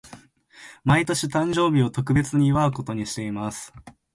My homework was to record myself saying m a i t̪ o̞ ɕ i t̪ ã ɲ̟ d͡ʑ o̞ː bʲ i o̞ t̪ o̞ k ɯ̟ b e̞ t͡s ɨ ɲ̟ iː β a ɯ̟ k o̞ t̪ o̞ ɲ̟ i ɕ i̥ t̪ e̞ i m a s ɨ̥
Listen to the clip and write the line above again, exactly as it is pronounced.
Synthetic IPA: m a i t̪ o̞ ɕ i t̪ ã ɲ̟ d͡ʑ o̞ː bʲ i o̞ t̪ o̞ k ɯ̟ b e̞ t͡s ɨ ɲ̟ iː β a ɯ̟ k o̞ t̪ o̞ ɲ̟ i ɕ i̥ t̪ e̞ i m a s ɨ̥

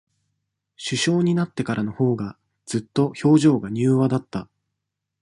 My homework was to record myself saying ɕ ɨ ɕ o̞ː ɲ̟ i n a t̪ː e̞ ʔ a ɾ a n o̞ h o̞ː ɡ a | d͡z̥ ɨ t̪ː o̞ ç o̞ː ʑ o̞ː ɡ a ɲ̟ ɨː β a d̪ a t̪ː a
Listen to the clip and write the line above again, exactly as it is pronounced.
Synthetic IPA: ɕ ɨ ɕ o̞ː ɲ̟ i n a t̪ː e̞ k a ɾ a n o̞ h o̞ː ɡ a | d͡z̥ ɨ t̪ː o̞ ç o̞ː ʑ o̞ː ɡ a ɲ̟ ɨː β a d̪ a t̪ː a

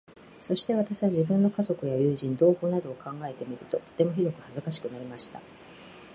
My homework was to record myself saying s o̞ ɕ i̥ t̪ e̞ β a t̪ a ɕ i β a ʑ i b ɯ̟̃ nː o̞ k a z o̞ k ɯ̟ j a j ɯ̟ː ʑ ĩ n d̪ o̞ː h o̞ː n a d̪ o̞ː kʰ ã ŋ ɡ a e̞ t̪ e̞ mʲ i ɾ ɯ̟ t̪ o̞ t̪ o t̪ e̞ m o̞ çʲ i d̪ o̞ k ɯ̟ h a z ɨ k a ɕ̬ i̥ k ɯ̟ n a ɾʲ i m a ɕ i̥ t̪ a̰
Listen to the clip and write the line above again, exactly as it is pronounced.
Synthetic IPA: s o̞ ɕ i̥ t̪ e̞ β a t̪ a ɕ i β a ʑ i b ɯ̟̃ nː o̞ k a z o̞ k ɯ̟ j a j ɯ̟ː ʑ ĩ n d̪ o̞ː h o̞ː n a d̪ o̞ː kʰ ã ŋ ɡ a e̞ t̪ e̞ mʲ i ɾ ɯ̟ t̪ o̞ t̪ o t̪ e̞ m o̞ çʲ i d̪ o̞ k ɯ̟ h a z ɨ k a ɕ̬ i̥ k ɯ̟ n a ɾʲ i m a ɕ i̥ t̪ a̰

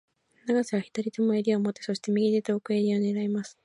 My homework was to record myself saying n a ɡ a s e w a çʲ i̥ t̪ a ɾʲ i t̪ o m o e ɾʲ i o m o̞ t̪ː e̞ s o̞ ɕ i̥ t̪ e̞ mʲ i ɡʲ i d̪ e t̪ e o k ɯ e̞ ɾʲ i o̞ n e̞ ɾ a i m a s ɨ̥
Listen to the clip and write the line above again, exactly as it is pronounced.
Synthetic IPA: n a ɡ a s e β a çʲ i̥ t̪ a ɾʲ i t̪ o m o e ɾʲ i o m o̞ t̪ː e̞ s o̞ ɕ i̥ t̪ e̞ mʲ i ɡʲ i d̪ e t̪ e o k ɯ e̞ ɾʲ i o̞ n e̞ ɾ a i m a s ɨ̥

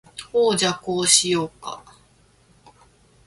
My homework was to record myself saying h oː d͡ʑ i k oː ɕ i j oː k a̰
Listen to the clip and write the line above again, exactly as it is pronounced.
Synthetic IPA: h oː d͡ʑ a k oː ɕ i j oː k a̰

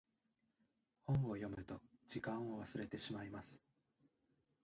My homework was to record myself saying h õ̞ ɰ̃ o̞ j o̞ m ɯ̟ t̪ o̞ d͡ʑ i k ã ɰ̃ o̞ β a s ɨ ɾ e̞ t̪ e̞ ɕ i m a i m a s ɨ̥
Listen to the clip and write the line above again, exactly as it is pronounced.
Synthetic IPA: h õ̞ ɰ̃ o̞ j o̞ m ɯ̟ t̪ o̞ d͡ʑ i k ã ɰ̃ o̞ β a s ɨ ɾ e̞ t̪ e̞ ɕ i m a i m a s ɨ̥

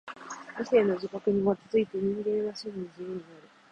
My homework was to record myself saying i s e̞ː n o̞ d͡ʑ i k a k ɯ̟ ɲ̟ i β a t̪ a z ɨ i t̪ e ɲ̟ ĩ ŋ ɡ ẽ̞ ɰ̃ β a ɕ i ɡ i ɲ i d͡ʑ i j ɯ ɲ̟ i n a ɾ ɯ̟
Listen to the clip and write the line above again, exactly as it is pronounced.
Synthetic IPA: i s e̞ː n o̞ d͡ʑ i k a k ɯ̟ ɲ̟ i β a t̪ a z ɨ i t̪ e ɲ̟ ĩ ŋ ɡ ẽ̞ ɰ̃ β a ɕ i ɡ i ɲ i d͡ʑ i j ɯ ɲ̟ i n a ɾ ɯ̟

